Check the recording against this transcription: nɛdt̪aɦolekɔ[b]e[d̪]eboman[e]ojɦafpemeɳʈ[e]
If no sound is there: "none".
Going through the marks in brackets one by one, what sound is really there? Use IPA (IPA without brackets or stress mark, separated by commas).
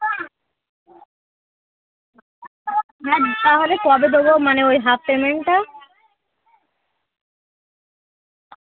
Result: b, d̪, e, a